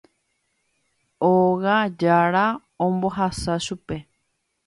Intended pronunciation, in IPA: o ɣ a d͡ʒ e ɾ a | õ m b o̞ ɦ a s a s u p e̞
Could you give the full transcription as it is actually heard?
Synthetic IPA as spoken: o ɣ a d͡ʒ a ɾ a | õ m b o̞ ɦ a s a ʃ u p e̞

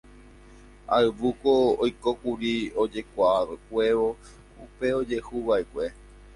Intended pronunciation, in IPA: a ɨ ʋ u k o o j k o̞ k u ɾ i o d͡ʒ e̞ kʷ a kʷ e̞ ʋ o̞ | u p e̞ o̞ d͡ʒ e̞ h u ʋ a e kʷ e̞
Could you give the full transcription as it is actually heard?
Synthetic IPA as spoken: a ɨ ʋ u k o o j k o̞ k u ɾ i o d͡ʒ e̞ kʷ a kʷ e̞ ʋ o̞ | u p e̞ o̞ d͡ʒ e̞ h u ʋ a e kʷ e̞

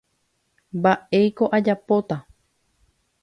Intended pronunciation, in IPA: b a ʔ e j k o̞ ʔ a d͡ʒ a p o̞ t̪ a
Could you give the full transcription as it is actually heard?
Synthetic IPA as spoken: b a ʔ e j k o̞ ʔ a d͡ʒ a p o̞ t̪ a

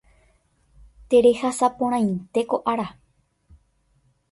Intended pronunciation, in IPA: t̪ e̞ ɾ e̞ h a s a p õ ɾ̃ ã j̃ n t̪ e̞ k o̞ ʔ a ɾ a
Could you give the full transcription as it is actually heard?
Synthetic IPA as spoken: t̪ e̞ ɾ e̞ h a s a p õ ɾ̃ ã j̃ n t̪ e̞ k o̞ ʔ a ɾ a

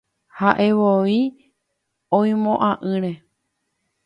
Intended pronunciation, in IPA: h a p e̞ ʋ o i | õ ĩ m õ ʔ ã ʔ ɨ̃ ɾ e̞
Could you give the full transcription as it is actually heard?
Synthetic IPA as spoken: h a ʔ e̞ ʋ o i | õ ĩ m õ ʔ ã ʔ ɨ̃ ɾ e̞

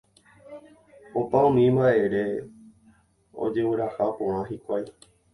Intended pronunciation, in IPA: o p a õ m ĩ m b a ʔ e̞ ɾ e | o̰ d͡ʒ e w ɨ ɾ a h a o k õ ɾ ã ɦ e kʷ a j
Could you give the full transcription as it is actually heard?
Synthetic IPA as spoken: o p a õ m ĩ m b a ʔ e̞ ɾ e | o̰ d͡ʒ e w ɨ ɾ a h a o p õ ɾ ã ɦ i kʷ a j

